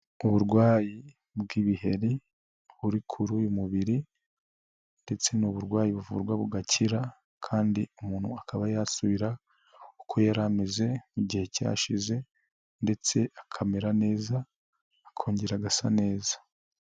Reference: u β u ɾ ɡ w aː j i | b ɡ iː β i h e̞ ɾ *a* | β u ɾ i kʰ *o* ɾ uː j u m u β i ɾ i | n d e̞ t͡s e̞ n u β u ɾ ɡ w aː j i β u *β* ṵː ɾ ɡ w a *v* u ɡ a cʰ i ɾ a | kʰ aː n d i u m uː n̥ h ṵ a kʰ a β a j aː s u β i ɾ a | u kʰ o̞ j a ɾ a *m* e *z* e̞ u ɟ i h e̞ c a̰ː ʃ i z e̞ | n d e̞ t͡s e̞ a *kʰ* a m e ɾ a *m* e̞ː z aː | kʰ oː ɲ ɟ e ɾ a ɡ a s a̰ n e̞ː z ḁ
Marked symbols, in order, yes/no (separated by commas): no, no, no, no, yes, yes, yes, no